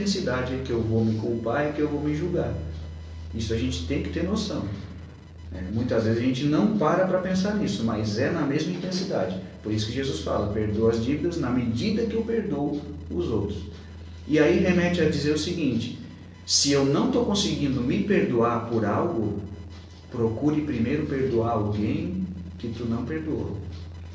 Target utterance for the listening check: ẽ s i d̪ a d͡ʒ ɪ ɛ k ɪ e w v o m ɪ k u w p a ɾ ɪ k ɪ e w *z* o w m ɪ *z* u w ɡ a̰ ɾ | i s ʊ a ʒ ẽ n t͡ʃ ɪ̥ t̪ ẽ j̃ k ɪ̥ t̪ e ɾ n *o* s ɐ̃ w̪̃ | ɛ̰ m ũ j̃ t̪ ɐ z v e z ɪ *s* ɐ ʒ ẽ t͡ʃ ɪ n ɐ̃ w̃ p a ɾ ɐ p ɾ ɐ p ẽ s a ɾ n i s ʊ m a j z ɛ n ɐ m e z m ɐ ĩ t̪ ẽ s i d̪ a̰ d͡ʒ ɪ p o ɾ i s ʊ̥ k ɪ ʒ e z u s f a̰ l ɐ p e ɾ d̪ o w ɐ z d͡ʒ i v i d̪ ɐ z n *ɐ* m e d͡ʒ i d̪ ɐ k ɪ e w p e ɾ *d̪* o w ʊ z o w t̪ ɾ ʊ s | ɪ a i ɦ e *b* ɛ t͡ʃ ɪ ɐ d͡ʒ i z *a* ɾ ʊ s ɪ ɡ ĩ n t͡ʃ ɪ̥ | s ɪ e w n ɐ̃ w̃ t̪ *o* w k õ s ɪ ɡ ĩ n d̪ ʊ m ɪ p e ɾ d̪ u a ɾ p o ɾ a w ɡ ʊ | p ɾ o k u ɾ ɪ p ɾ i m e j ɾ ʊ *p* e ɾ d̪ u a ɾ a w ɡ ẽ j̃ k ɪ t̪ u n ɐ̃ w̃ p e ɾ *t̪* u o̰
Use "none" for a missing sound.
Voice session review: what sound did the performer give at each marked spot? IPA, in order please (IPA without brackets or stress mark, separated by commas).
v, ʒ, o, z, ɐ, d̪, m, e, o, p, d̪